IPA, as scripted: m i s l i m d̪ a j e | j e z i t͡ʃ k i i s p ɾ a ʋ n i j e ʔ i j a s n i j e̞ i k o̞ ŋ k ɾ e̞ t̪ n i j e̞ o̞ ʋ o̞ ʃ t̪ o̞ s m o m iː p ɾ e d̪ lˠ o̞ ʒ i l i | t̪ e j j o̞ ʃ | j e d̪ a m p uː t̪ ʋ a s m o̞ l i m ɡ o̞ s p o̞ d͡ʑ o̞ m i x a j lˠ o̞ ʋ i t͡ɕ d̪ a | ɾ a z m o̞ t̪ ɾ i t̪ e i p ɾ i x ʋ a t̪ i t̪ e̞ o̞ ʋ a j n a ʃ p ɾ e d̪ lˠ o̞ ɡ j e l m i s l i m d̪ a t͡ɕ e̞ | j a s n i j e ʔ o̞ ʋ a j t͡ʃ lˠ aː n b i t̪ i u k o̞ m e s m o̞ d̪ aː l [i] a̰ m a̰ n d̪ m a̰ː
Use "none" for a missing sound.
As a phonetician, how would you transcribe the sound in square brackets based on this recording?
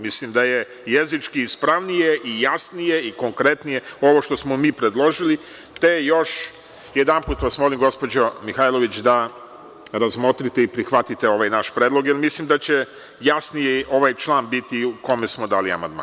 i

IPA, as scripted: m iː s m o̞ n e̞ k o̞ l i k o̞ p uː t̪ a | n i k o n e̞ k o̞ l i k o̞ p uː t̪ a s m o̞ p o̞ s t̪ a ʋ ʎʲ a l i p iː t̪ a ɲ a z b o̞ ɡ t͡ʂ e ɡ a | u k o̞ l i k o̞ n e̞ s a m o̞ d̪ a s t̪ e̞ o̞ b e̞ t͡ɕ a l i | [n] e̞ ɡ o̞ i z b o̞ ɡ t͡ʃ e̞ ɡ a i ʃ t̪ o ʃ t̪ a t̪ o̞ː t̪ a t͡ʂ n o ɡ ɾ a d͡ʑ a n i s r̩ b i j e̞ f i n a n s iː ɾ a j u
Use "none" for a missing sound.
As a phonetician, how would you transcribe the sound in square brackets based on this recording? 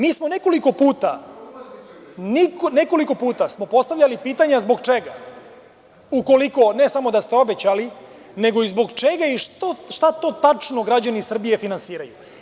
n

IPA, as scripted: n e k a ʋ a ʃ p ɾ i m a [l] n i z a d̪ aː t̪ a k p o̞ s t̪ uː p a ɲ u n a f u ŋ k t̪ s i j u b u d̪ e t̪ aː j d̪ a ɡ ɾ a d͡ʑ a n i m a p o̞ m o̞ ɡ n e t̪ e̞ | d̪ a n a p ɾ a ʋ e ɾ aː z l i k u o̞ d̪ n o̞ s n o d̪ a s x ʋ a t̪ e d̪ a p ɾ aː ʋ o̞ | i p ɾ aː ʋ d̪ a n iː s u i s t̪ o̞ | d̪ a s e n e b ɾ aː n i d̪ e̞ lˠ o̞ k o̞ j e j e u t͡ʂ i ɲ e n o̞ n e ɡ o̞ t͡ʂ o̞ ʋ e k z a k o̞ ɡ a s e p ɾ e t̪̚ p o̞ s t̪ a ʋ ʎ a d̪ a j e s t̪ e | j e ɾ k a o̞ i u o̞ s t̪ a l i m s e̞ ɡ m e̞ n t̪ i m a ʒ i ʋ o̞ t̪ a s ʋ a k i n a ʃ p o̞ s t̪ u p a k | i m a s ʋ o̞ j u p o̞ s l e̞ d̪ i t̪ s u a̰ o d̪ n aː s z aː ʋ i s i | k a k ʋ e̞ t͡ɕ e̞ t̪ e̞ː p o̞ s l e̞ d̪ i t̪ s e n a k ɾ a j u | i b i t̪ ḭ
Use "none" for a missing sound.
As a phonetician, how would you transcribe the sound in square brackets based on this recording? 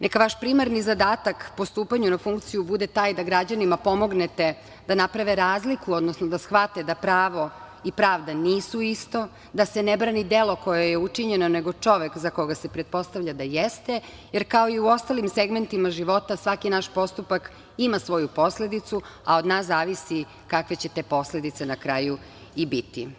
ɾ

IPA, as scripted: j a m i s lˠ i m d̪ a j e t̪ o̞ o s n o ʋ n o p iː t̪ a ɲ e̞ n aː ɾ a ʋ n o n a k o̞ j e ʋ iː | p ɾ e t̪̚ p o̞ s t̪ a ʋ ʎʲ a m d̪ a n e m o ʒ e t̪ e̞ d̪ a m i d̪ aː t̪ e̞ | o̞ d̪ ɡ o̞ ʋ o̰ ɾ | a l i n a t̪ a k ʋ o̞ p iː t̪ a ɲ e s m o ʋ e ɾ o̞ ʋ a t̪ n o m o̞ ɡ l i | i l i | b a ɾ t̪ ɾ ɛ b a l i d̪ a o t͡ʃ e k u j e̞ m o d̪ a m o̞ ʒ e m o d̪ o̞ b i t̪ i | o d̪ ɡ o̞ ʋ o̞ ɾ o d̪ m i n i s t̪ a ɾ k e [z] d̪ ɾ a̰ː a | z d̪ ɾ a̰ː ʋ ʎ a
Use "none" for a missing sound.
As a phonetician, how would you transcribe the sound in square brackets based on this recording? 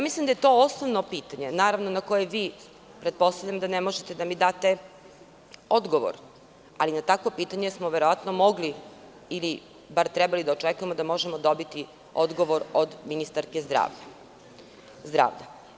z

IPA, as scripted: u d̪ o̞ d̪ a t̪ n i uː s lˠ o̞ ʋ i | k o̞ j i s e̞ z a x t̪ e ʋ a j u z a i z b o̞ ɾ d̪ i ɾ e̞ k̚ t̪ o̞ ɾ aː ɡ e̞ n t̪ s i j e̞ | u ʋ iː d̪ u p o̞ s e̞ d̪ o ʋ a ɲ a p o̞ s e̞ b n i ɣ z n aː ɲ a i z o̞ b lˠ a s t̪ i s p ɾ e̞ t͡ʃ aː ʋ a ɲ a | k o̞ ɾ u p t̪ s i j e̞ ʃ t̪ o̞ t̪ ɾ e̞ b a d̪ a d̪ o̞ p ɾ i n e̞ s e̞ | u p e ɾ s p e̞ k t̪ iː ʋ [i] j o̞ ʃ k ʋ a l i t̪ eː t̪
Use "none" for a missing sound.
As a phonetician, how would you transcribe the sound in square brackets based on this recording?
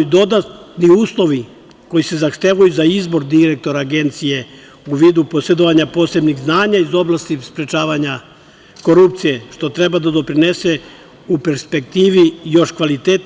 i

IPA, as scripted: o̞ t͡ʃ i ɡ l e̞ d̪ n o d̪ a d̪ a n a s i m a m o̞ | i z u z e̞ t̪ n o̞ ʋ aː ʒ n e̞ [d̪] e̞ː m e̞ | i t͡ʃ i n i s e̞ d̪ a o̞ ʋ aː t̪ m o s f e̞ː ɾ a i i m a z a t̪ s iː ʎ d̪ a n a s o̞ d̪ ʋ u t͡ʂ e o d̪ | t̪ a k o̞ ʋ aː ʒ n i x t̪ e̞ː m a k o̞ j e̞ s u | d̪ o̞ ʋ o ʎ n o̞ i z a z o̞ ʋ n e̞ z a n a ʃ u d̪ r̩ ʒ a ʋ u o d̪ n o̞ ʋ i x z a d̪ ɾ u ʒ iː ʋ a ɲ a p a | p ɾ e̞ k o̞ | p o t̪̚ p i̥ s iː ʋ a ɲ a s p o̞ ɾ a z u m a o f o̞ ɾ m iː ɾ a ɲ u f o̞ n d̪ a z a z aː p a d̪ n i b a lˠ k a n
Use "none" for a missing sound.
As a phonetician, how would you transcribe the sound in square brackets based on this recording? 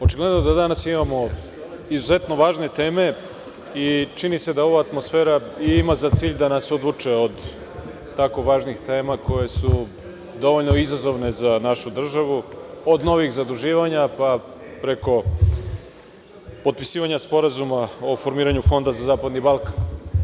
t̪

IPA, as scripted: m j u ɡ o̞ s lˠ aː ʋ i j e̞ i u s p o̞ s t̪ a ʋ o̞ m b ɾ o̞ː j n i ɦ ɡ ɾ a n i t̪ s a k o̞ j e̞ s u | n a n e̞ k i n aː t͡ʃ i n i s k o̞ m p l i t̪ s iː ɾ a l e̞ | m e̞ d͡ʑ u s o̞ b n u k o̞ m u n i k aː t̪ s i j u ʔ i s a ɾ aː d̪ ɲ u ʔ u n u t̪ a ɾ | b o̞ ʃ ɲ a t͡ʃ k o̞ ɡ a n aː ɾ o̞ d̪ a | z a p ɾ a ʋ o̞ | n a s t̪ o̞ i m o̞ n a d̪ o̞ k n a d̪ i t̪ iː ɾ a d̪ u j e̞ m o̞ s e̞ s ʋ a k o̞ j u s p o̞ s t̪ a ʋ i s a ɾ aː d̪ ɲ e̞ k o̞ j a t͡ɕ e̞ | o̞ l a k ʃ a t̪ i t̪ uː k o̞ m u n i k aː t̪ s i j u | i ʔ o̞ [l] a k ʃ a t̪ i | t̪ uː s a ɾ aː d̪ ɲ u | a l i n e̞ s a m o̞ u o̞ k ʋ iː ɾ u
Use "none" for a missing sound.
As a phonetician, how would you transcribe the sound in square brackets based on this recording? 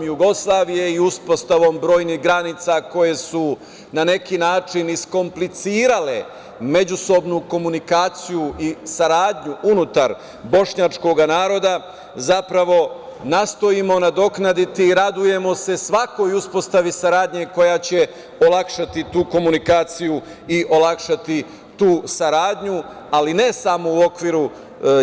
l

